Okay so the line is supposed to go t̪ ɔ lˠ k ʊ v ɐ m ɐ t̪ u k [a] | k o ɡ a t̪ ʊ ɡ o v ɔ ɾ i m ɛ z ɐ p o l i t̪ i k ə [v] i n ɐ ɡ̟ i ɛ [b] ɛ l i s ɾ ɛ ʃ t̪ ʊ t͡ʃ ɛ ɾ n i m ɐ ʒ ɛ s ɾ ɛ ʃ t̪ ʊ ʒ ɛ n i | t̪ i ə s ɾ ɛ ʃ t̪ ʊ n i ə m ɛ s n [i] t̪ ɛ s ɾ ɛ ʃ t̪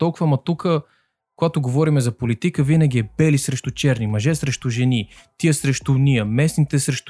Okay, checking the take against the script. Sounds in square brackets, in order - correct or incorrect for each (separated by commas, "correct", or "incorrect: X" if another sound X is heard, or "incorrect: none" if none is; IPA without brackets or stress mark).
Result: incorrect: ə, correct, correct, correct